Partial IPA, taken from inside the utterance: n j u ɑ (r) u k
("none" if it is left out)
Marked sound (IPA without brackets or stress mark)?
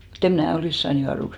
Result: r